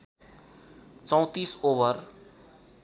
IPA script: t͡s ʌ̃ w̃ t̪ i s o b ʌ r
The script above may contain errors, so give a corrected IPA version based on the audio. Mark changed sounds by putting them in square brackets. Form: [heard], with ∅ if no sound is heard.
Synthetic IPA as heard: t͡s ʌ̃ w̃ t̪ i s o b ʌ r